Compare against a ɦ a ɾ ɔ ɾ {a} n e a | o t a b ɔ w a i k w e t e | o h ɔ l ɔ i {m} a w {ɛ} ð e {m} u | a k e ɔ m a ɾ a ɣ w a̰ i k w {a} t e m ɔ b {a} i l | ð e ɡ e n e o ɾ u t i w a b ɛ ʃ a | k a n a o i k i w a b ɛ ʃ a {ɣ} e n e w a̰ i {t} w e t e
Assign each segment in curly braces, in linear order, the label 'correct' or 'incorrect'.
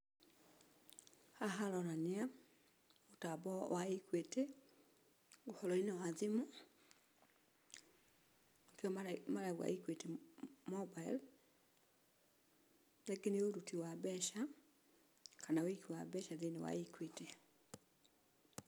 correct, incorrect: n, incorrect: a, correct, incorrect: e, correct, incorrect: ð, incorrect: k

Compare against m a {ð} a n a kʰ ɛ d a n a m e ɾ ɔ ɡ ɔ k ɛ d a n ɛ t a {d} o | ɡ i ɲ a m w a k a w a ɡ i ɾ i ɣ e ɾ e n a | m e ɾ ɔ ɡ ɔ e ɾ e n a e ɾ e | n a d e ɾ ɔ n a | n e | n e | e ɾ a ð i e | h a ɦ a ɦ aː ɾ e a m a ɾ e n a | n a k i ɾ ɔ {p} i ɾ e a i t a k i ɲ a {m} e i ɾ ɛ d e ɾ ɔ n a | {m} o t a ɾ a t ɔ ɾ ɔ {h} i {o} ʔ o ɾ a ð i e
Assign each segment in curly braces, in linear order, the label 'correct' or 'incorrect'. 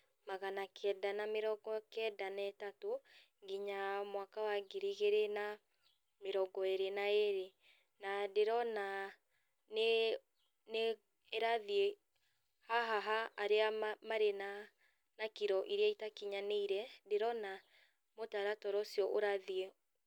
incorrect: ɣ, incorrect: t, incorrect: ʔ, incorrect: n, correct, incorrect: s, incorrect: ɔ

